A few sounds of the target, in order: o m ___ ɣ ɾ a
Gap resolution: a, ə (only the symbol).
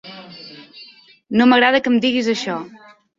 ə